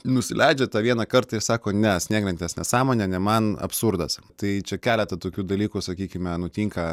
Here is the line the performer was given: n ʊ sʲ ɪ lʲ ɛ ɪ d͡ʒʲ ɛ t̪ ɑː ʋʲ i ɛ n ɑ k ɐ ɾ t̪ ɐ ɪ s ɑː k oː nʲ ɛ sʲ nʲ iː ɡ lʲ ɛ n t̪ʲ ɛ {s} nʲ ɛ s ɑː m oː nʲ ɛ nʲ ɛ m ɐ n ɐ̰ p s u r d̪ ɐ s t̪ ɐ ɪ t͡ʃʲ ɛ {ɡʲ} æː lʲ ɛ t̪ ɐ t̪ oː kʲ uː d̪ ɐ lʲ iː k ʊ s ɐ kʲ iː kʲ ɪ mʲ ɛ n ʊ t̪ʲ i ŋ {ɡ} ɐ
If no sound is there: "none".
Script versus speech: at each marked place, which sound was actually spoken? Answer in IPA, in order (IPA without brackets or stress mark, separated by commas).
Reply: s, kʲ, k